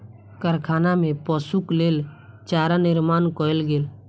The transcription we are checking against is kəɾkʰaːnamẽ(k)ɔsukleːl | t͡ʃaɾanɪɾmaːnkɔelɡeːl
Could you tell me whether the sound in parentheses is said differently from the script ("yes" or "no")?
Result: yes